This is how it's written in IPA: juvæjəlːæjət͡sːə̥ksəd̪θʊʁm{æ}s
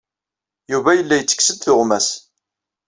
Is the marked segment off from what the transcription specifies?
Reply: no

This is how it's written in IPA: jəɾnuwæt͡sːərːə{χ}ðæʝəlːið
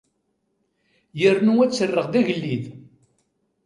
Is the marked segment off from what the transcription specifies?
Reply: yes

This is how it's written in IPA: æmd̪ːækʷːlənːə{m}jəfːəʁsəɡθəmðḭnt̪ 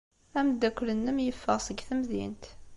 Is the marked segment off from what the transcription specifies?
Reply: no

